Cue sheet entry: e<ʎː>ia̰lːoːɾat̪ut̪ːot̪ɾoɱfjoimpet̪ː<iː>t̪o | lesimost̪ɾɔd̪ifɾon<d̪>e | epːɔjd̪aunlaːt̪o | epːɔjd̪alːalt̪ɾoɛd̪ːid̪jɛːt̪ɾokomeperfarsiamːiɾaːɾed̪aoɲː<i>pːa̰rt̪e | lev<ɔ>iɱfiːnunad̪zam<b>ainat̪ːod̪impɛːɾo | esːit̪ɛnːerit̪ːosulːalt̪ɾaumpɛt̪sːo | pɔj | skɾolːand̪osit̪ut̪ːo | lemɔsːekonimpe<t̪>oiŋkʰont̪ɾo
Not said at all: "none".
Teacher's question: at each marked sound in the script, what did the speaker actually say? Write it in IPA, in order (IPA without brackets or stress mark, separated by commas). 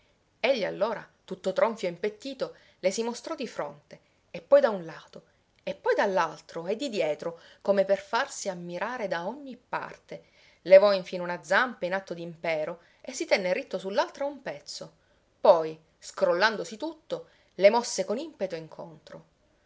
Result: ʎː, iː, t̪, i, ɔ, p, t̪